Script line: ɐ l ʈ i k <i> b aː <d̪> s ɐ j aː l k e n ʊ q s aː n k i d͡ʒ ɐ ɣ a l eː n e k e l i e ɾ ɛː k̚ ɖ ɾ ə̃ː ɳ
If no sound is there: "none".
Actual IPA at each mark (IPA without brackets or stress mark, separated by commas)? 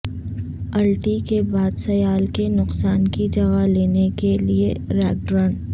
e, d̪